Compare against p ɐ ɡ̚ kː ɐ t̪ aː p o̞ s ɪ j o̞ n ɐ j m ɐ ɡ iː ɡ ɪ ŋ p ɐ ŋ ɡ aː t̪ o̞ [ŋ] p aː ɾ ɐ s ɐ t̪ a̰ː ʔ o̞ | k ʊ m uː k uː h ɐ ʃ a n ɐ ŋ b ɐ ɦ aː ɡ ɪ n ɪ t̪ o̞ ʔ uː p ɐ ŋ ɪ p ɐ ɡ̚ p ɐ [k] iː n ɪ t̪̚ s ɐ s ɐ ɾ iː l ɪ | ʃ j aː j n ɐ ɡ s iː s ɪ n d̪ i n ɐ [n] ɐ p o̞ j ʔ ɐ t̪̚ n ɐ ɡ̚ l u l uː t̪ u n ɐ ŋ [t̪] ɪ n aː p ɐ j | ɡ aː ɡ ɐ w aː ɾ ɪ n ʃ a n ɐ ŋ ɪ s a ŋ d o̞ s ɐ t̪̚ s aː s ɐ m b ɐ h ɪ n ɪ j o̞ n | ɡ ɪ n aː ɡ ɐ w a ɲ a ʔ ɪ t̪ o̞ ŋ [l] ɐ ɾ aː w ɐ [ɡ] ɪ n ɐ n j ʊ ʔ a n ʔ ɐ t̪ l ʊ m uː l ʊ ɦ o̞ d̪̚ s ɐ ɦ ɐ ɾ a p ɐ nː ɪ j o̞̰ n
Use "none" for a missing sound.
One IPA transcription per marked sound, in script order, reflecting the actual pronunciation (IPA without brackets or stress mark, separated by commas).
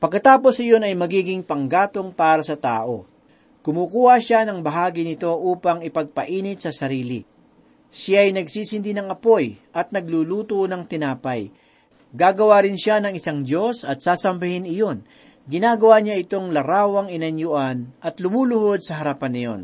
ŋ, ʔ, ŋ, t̪, l, ŋ